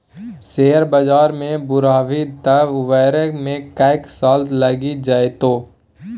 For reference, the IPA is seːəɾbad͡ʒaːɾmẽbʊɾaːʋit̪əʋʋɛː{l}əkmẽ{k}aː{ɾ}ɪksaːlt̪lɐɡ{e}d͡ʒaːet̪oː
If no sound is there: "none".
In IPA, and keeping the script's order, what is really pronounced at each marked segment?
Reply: ɾ, k, none, i

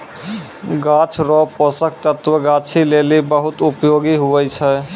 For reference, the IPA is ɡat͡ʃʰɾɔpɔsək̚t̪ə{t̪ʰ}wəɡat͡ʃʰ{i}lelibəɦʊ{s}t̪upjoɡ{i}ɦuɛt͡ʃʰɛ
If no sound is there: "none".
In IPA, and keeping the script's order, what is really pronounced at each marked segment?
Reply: t̪, i, none, i

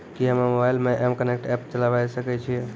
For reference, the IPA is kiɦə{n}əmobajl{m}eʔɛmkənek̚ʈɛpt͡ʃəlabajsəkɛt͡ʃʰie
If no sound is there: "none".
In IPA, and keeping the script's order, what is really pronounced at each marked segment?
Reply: m, m

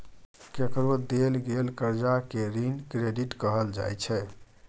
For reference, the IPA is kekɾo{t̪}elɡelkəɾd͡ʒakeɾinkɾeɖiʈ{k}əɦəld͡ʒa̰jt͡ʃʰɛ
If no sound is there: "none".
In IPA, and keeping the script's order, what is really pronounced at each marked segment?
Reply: d̪, k

